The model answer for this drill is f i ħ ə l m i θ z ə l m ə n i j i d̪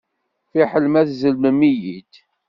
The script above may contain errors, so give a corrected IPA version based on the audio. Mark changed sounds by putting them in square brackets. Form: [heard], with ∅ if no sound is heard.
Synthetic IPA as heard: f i ħ ə l m [æ] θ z ə l m ə [m] i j i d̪